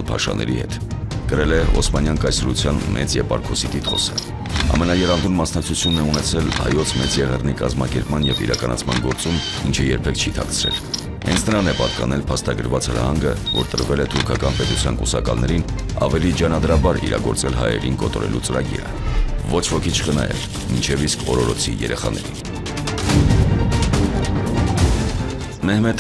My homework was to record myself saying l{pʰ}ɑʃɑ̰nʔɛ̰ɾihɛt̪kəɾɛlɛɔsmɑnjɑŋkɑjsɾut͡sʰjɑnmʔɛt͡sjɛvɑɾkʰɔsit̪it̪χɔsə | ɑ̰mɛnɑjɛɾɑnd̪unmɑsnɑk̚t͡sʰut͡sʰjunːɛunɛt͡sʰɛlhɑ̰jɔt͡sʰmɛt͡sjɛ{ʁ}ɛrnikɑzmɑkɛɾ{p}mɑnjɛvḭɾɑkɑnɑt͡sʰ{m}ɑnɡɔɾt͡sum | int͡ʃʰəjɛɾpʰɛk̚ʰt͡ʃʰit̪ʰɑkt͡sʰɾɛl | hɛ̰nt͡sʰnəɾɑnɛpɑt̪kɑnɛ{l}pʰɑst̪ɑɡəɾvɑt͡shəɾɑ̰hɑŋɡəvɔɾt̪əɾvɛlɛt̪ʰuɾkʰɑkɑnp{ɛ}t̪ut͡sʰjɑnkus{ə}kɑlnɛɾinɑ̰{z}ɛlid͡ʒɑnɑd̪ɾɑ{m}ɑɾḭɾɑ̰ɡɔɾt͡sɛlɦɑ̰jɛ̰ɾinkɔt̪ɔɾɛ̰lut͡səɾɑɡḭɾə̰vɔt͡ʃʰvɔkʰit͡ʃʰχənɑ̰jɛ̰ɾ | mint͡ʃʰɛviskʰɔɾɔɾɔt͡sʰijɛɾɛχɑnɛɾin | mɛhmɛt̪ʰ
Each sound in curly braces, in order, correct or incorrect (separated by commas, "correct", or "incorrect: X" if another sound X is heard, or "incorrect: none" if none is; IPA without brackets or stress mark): correct, correct, correct, correct, correct, correct, incorrect: ɑ, incorrect: v, incorrect: b